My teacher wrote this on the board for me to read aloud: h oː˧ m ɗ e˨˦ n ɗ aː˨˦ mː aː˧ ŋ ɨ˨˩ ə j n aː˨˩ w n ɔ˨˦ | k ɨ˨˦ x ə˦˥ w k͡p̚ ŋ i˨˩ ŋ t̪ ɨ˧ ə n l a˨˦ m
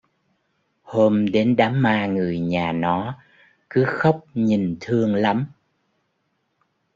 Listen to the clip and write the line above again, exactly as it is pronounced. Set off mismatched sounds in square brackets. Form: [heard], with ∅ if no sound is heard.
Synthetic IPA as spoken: h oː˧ m ɗ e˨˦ n ɗ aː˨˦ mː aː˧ ŋ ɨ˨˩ ə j [ɲ] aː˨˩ [∅] n ɔ˨˦ | k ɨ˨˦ x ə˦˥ w k͡p̚ [ɲ] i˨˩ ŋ [t̪ʰ] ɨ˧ ə [ŋ] l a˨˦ m

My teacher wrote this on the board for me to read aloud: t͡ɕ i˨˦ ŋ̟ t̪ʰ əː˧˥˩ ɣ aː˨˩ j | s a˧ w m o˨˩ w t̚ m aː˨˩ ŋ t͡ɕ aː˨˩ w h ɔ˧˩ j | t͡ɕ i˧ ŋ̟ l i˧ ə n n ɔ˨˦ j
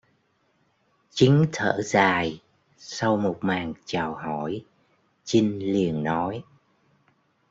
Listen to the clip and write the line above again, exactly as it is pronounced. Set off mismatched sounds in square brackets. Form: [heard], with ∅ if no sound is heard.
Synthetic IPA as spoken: t͡ɕ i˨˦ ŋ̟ t̪ʰ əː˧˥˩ [z] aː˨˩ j | s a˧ w m o˨˩ [∅] t̚ m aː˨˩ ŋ t͡ɕ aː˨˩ w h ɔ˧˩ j | t͡ɕ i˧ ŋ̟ l [i˨˩] ə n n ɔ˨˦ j

